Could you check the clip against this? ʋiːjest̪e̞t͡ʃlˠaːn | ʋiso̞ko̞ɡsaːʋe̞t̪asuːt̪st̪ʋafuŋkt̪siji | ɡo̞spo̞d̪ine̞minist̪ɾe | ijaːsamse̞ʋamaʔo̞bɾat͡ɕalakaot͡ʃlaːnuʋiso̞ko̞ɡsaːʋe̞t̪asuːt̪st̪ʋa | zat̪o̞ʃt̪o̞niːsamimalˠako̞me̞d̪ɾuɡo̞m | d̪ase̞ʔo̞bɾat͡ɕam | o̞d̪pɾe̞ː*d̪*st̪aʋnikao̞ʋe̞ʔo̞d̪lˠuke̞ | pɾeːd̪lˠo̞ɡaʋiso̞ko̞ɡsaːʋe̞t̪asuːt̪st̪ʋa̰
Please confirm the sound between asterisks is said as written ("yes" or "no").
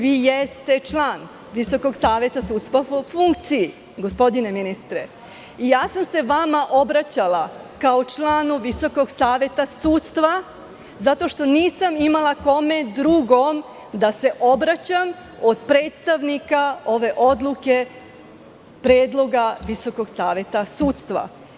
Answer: no